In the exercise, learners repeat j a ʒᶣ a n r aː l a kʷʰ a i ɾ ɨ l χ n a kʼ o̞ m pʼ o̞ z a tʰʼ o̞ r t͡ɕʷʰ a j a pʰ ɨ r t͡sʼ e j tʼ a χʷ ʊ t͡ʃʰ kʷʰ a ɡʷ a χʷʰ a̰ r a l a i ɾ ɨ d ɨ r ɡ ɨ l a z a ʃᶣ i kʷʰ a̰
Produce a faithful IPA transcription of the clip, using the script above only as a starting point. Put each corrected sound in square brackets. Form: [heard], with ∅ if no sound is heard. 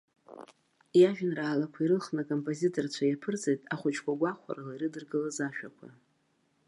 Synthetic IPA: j a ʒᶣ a n r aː l a kʷʰ a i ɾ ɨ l χ n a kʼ o̞ m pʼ o̞ z [i] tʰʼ o̞ r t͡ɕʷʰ a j a pʰ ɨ r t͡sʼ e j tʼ a χʷ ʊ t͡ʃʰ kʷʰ a ɡʷ a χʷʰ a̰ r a l a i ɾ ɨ d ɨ r ɡ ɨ l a z a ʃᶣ [a] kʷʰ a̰